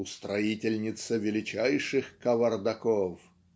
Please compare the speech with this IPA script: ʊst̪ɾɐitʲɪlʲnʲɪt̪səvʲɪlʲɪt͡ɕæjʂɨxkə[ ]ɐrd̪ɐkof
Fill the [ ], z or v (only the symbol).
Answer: v